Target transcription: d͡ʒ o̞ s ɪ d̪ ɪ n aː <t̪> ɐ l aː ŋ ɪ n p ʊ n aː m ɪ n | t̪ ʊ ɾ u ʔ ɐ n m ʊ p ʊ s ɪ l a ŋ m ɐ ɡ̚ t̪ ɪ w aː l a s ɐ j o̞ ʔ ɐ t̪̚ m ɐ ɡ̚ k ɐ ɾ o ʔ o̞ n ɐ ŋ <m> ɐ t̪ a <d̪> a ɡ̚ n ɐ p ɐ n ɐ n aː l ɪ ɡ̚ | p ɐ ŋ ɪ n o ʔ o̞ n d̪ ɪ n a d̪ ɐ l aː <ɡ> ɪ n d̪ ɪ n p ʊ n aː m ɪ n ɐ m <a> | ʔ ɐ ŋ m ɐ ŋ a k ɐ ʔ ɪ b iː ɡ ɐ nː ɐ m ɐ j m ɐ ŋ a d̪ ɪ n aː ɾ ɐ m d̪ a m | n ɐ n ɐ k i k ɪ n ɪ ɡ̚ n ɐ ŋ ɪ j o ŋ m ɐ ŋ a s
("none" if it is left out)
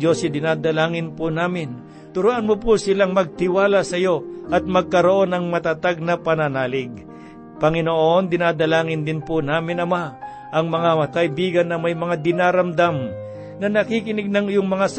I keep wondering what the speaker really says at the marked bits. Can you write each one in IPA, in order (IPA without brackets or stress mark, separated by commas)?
d̪, m, t̪, ŋ, a